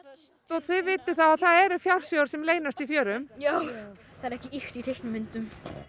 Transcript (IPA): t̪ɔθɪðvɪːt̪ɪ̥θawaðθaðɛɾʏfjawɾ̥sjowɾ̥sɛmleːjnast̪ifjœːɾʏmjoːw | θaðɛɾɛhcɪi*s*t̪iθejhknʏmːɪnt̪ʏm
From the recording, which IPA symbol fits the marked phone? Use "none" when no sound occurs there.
x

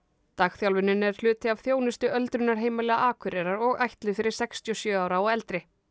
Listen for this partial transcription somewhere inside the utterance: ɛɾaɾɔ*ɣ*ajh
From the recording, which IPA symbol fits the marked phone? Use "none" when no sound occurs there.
ɣ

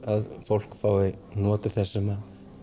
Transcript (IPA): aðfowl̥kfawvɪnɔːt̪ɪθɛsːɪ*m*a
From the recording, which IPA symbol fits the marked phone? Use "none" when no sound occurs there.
m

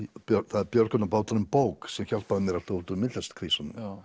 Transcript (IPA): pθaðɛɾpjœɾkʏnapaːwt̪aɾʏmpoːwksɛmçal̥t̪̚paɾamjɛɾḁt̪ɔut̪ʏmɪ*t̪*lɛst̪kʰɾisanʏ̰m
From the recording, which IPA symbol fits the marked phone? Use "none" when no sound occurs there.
t̪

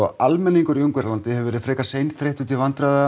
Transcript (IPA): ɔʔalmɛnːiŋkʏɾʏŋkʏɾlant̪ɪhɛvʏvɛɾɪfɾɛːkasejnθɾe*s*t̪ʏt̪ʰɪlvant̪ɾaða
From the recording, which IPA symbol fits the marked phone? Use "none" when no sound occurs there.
h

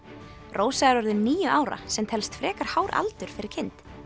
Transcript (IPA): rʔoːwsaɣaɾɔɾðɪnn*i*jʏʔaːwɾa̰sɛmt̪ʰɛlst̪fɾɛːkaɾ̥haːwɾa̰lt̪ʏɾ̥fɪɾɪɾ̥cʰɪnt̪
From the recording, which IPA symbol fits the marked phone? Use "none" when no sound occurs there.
iː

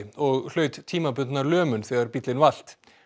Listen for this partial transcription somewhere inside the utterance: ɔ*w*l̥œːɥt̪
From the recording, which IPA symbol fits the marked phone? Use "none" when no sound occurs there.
ɣ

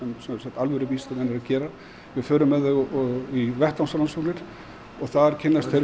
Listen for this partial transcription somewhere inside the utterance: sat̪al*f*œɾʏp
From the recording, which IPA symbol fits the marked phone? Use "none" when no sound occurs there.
v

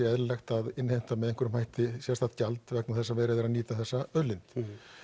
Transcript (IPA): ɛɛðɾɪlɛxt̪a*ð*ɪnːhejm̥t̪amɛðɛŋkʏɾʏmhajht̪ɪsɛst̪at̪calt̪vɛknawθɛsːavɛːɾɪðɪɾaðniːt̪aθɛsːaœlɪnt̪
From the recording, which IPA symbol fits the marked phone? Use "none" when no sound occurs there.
ð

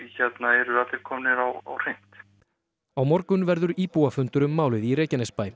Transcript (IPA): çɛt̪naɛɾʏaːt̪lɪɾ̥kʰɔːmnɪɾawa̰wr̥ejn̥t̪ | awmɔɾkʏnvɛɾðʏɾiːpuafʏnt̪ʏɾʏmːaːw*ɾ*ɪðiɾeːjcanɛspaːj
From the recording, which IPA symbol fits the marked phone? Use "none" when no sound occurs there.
l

